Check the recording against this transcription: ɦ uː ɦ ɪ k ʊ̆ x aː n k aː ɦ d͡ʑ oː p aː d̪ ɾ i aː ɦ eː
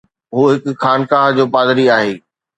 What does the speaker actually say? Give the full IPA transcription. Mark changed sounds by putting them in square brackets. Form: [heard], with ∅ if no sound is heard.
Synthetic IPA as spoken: ɦ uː ɦ ɪ k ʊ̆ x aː n k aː ɦ d͡ʑ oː p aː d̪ ɾ i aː ɦ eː

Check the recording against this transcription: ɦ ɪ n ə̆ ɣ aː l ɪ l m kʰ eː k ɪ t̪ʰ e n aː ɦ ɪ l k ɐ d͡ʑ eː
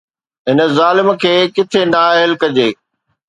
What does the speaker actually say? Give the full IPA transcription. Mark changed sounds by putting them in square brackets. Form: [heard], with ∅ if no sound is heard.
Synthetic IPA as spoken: ɦ ɪ n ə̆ [z] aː l ɪ [∅] m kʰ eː k ɪ t̪ʰ e n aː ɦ ɪ l k ɐ d͡ʑ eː

